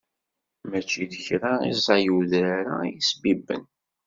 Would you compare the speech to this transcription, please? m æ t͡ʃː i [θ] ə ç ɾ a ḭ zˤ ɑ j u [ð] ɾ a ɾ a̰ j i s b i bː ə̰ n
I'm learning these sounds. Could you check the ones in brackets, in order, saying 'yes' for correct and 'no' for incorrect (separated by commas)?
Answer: no, yes